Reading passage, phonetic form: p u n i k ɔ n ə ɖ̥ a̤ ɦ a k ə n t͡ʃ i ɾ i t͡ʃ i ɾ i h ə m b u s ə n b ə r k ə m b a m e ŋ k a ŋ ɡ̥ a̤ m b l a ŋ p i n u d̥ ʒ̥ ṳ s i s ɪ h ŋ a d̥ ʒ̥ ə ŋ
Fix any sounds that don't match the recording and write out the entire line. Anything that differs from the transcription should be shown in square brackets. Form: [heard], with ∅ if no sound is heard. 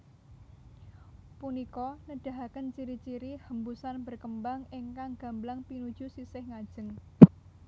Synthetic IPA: p u n i k ɔ n ə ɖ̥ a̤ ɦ a k ə n t͡ʃ i ɾ i t͡ʃ i ɾ i h ə m b u s [a] n b ə r k ə m b a [ŋ] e ŋ k a ŋ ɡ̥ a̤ m b l a ŋ p i n u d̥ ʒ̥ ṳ s i s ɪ h ŋ a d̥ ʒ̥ ə ŋ